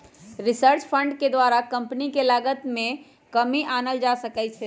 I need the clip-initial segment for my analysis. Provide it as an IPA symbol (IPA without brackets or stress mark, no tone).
ɾ